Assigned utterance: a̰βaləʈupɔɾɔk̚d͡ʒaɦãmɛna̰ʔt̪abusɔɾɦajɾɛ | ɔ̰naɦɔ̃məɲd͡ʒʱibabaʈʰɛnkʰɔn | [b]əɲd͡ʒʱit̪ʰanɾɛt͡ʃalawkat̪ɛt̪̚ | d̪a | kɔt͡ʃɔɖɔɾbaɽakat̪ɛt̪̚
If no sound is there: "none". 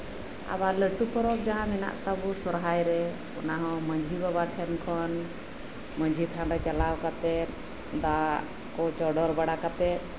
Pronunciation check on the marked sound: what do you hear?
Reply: m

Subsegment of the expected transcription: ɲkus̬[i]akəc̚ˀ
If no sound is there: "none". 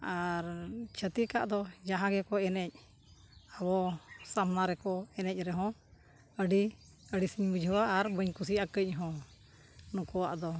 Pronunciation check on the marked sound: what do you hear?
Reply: i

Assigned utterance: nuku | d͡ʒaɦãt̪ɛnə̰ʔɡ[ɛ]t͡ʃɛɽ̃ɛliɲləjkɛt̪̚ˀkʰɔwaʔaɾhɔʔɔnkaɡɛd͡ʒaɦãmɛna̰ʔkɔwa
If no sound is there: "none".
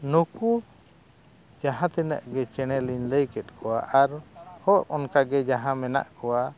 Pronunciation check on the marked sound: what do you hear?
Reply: ɛ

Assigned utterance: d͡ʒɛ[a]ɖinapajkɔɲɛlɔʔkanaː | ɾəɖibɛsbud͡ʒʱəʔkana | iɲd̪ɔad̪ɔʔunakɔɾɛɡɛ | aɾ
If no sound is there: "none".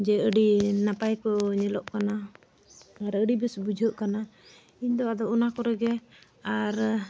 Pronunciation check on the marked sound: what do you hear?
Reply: ə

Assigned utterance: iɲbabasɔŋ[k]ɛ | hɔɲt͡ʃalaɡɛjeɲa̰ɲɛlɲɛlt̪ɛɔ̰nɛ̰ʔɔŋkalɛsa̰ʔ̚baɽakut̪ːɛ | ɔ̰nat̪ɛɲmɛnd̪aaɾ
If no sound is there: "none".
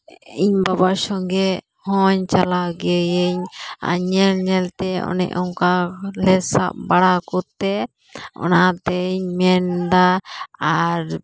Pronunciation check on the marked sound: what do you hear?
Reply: ɡ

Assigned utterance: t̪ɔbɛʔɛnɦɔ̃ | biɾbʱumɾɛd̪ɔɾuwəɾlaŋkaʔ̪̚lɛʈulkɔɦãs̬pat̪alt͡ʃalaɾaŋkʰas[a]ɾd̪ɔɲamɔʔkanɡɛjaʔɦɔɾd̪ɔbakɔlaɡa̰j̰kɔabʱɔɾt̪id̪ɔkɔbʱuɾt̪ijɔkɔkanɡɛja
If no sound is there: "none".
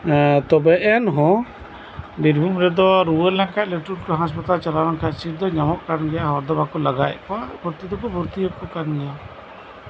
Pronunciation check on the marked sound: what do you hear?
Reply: i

